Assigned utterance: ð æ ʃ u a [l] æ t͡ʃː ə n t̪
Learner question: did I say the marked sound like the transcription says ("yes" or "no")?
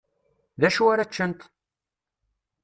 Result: no